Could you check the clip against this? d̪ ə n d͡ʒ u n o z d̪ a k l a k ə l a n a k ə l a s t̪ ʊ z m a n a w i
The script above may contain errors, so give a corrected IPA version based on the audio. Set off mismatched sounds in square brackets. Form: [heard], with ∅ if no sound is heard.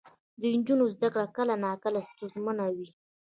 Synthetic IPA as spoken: d̪ ə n d͡ʒ u n o z d̪ a k [ɽ] a k ə l a n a k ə l a s t̪ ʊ z m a n a w i